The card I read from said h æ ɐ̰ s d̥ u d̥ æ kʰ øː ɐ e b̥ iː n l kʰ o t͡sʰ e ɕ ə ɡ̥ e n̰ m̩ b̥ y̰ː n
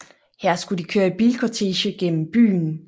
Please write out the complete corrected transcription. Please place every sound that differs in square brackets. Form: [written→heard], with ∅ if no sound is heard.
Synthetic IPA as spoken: h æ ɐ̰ s [d̥→ɡ̥] u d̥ [æ→i] kʰ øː ɐ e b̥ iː [n→∅] l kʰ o t͡sʰ e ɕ ə ɡ̥ e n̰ m̩ b̥ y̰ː n